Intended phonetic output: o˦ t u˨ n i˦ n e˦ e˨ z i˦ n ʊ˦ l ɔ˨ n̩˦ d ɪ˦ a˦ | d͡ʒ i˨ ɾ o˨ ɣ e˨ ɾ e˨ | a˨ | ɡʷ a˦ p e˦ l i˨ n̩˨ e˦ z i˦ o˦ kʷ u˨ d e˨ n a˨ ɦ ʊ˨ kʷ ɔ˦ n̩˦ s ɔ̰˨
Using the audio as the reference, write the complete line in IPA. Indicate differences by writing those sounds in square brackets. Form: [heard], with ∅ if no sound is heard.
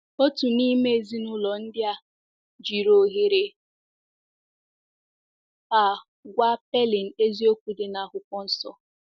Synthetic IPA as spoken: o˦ t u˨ n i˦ [m] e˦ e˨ z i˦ n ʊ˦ l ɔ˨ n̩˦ d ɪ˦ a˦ | d͡ʒ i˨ ɾ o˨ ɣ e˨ ɾ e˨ | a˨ | ɡʷ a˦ p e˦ l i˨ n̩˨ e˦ z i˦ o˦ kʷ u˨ d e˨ n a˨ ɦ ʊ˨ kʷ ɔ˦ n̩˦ s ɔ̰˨